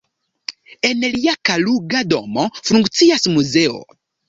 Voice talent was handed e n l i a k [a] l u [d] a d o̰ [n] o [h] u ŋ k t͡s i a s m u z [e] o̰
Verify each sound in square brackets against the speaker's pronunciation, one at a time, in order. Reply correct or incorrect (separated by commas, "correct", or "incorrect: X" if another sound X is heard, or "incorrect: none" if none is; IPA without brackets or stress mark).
correct, incorrect: ɡ, incorrect: m, incorrect: f, correct